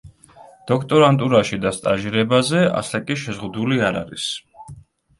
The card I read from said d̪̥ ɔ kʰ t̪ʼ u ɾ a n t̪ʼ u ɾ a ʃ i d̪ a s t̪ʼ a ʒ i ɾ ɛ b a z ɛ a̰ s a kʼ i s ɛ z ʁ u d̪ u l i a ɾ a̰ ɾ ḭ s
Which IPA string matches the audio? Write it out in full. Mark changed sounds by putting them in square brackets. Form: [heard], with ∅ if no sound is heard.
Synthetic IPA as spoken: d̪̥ ɔ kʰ t̪ʼ [ɔ] ɾ a n t̪ʼ u ɾ a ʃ i d̪ a s t̪ʼ a ʒ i ɾ ɛ b a z ɛ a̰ s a kʼ i [ʃ] ɛ z ʁ u d̪ u l i a ɾ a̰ ɾ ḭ s